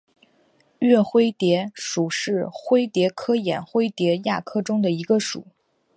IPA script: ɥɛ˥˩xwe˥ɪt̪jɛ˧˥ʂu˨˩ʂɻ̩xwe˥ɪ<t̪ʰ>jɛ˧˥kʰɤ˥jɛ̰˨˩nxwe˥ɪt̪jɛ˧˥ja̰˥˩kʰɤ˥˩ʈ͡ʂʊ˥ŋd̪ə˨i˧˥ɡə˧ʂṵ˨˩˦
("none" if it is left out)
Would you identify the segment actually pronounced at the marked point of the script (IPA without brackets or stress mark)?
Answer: t̪